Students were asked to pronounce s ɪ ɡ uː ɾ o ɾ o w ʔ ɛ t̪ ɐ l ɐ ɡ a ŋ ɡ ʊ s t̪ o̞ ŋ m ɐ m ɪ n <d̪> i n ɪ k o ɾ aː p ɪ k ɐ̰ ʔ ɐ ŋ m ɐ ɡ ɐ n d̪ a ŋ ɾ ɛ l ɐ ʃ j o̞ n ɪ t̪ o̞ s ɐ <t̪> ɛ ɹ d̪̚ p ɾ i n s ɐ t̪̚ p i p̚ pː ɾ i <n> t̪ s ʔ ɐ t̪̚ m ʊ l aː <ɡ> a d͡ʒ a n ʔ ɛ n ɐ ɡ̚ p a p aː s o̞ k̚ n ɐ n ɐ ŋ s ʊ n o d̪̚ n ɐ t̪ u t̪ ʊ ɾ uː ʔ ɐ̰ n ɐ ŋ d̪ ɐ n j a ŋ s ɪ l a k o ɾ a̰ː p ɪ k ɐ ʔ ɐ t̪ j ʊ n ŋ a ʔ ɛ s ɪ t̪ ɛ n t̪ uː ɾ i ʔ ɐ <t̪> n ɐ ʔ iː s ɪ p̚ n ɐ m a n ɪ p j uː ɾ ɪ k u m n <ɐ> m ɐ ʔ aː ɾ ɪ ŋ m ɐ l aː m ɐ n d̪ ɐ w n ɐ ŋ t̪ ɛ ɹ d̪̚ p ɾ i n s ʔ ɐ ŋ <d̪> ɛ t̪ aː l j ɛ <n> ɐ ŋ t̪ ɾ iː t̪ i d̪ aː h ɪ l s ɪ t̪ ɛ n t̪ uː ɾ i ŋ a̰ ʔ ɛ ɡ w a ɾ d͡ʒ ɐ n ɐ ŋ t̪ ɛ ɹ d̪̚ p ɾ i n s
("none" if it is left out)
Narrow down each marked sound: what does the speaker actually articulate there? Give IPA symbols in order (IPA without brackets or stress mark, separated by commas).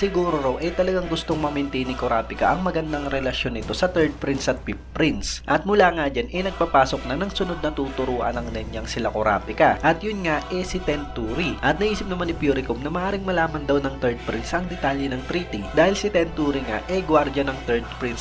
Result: t̪, t̪, n, ŋ, t̪, ɐ, d̪, n